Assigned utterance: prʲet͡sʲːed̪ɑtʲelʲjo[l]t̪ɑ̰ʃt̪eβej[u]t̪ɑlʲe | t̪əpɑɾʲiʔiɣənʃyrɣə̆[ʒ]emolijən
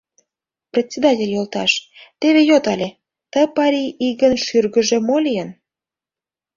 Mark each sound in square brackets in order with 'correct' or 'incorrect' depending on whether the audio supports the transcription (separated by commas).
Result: correct, incorrect, correct